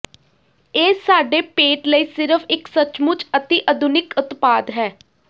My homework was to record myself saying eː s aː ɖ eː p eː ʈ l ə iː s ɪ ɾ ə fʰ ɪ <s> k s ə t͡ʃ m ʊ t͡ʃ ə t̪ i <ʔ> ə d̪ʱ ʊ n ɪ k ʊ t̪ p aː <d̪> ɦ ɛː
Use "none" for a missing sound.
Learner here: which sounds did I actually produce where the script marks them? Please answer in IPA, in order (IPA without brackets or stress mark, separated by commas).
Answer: none, ʔ, d̪